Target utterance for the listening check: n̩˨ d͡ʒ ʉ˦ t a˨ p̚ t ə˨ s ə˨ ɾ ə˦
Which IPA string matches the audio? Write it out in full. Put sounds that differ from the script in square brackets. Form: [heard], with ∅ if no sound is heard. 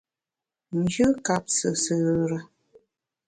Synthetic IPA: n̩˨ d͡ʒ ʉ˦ [k] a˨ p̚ [s] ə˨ s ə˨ ɾ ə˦